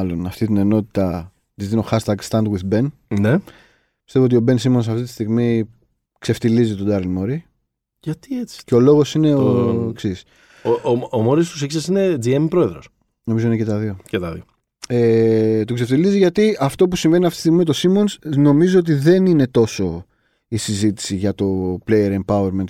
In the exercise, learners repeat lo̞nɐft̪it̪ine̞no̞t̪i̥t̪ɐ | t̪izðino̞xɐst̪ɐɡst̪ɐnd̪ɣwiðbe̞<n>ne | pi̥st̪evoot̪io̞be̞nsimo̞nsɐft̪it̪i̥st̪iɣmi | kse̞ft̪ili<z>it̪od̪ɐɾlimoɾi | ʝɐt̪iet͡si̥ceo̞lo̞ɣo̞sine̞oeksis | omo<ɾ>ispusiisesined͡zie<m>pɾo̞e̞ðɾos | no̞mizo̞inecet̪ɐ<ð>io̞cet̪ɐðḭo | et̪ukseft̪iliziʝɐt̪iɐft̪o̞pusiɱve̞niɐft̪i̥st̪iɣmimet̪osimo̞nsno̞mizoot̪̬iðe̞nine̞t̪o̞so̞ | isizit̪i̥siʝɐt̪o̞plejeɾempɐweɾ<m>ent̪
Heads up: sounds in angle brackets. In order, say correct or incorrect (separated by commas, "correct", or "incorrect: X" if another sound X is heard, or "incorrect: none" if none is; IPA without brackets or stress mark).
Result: correct, correct, correct, correct, correct, correct